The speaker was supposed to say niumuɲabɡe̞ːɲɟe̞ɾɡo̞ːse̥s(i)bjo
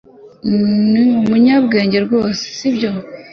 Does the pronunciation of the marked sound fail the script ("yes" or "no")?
no